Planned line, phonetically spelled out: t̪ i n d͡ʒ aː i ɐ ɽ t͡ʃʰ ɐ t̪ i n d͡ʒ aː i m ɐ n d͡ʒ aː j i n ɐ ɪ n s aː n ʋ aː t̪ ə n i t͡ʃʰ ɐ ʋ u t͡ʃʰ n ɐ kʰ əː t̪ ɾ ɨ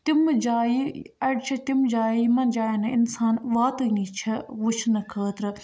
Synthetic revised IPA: t̪ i m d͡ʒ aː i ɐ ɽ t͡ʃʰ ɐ t̪ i m d͡ʒ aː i m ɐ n d͡ʒ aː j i n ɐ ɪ n s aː n ʋ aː t̪ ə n i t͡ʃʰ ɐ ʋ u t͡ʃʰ n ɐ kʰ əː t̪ ɾ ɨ